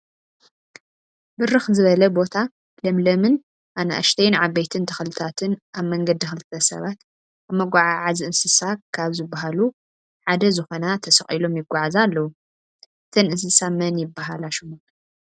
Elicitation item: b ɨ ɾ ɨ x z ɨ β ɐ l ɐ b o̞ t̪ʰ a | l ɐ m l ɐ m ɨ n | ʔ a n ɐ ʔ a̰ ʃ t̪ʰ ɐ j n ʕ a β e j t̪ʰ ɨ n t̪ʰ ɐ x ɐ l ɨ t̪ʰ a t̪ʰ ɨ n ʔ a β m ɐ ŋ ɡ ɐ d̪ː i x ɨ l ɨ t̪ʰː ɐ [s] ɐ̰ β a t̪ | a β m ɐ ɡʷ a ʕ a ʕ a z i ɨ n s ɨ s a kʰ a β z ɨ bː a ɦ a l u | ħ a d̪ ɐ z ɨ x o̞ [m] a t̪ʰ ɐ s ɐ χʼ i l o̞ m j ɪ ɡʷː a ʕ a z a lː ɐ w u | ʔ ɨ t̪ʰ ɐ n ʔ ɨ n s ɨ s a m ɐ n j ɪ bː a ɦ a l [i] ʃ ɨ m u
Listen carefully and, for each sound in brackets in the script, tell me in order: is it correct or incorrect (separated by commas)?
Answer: correct, incorrect, incorrect